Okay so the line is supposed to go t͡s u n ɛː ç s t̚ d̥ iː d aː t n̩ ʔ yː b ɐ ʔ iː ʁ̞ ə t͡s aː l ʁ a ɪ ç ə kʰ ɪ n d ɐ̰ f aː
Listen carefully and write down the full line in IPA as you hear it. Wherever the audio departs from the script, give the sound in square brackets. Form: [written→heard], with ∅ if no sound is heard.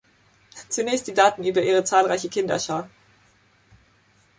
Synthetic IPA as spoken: t͡s u n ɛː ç s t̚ d̥ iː d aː t n̩ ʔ yː b ɐ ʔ iː ʁ̞ ə t͡s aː l ʁ a ɪ ç ə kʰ ɪ n d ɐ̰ [f→ʃ] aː